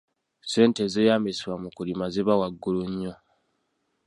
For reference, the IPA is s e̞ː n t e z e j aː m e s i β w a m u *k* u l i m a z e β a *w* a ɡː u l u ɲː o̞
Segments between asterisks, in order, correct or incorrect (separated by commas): correct, correct